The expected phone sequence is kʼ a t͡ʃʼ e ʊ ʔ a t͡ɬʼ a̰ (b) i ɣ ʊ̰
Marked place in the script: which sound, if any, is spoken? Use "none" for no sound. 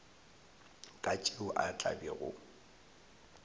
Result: b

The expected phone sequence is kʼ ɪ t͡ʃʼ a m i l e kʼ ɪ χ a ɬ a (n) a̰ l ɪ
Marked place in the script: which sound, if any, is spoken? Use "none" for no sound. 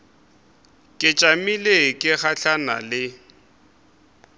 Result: n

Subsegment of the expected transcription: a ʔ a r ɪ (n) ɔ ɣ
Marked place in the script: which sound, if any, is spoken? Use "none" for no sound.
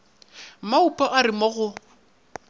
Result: m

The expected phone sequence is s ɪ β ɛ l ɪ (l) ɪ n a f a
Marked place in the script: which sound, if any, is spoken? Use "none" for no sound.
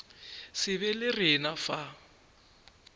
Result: r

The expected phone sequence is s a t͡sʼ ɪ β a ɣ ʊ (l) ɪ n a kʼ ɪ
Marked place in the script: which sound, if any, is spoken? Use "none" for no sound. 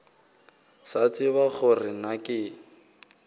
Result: r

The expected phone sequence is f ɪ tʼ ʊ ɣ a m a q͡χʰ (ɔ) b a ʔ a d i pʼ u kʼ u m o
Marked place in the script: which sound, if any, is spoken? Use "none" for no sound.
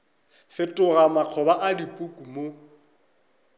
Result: ɔ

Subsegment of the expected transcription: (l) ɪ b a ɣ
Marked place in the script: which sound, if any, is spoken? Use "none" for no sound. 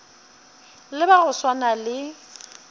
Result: l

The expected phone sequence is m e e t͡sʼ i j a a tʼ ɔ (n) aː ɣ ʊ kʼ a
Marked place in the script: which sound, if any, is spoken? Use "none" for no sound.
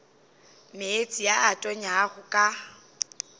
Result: ɲ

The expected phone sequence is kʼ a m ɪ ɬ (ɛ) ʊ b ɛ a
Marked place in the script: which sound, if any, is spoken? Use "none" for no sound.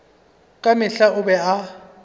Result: a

